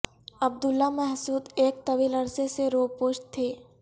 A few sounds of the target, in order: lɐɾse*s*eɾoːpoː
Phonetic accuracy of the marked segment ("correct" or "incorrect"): correct